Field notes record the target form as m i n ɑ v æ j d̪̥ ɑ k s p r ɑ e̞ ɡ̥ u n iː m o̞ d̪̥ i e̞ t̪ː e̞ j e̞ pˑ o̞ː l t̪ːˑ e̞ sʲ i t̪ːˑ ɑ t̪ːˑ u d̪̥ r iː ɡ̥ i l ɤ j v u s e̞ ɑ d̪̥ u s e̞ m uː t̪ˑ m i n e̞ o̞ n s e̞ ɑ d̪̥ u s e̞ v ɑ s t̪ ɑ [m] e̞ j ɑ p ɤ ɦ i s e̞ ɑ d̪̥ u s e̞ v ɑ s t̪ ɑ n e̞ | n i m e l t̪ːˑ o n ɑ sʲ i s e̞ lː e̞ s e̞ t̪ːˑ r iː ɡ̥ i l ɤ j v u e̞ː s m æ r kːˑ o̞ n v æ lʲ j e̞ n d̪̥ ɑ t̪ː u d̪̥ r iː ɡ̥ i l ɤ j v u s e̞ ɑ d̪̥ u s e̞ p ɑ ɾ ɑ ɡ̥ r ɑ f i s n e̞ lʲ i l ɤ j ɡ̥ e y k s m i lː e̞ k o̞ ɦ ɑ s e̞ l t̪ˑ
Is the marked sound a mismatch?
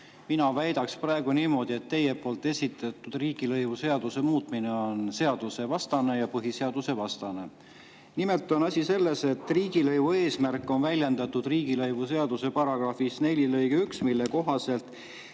yes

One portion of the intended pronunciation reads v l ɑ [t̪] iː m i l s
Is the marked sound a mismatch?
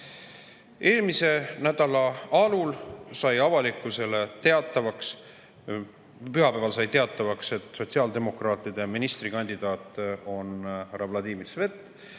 yes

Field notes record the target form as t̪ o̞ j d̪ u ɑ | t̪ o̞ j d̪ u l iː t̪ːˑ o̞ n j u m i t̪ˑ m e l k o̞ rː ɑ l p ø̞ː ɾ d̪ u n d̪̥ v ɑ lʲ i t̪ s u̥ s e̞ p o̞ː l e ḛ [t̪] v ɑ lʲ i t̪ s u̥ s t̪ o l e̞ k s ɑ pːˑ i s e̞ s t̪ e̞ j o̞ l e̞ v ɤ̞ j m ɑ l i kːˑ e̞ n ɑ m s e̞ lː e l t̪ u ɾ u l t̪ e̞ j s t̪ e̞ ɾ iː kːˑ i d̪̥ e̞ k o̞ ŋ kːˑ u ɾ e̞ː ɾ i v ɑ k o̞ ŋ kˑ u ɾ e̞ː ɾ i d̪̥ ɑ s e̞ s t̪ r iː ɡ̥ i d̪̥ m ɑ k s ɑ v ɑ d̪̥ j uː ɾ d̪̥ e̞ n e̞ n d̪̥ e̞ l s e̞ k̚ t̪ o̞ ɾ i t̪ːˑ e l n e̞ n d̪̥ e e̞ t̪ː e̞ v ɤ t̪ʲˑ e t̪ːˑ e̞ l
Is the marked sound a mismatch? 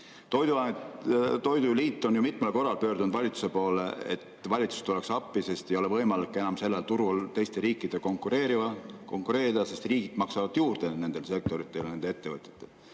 no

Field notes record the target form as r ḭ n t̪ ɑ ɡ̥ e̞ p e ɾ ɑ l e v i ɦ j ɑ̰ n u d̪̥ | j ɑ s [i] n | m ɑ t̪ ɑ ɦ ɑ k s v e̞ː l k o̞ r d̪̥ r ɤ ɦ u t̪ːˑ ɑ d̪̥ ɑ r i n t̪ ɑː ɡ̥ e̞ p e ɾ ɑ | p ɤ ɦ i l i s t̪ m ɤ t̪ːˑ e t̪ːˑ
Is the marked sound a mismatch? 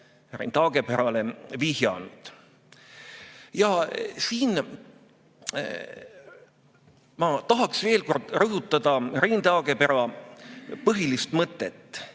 yes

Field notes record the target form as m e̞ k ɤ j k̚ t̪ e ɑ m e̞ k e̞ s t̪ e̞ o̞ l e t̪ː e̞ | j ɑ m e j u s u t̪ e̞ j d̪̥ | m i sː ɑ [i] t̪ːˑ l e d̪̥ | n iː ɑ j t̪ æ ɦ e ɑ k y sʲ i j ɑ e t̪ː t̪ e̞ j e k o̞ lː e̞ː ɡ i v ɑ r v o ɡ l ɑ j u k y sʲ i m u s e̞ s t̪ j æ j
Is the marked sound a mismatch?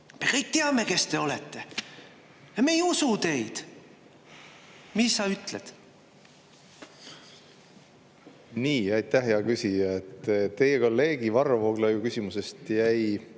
yes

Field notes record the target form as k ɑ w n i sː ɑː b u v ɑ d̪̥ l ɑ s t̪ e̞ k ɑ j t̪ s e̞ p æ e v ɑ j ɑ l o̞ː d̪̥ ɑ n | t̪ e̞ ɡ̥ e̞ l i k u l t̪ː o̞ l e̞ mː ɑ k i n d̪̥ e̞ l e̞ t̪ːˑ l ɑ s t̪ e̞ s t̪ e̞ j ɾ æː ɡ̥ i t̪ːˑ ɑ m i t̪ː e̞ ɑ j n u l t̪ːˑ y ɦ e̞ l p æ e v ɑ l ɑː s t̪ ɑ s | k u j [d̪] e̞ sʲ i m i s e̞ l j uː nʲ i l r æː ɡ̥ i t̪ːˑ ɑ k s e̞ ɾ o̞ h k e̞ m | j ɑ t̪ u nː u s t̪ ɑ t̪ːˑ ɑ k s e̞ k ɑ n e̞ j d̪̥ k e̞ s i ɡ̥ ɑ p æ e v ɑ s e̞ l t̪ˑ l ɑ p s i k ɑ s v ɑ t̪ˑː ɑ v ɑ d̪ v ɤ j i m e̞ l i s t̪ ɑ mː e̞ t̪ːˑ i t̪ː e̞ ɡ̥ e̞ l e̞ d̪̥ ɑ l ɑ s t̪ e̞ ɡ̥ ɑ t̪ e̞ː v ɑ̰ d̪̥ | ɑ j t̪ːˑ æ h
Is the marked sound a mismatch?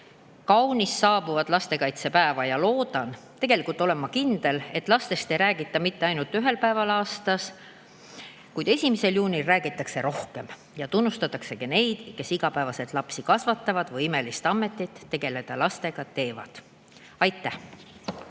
no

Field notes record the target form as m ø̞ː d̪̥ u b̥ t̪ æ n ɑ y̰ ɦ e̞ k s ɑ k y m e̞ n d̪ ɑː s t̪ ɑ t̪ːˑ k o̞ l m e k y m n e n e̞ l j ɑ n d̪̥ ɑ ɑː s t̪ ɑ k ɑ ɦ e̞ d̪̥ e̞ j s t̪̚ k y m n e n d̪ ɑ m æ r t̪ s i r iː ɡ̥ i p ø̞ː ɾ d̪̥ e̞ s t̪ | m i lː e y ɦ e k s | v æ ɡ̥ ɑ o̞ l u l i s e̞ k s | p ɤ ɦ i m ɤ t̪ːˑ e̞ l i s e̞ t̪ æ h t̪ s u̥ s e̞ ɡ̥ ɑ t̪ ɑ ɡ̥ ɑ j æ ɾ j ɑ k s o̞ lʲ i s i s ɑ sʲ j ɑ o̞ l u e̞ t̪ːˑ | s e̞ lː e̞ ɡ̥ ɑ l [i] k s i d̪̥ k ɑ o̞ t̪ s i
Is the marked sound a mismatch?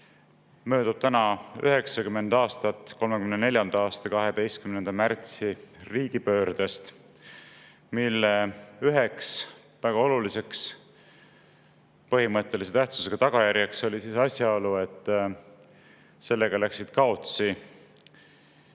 yes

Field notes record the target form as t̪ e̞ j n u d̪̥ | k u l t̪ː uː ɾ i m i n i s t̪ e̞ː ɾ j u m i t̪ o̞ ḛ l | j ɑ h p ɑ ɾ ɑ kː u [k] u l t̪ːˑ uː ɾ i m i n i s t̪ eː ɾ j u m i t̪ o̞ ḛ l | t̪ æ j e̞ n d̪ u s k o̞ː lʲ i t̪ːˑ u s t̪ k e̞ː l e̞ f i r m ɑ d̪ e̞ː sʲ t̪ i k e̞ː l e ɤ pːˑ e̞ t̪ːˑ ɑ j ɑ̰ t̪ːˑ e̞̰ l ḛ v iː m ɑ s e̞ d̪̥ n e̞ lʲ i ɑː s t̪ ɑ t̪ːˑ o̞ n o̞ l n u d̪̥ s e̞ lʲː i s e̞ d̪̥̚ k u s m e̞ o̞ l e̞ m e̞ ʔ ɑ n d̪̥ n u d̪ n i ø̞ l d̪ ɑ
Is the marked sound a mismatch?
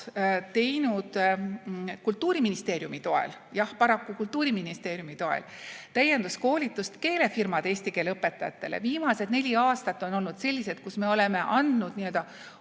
no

